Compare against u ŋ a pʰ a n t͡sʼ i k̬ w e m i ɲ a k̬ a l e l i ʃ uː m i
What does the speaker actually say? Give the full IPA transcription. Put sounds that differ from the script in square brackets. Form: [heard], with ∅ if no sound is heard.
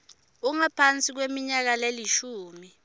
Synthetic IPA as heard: u ŋ a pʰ a n t͡sʼ i k̬ w e m i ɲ a k̬ a l e l i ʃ uː m i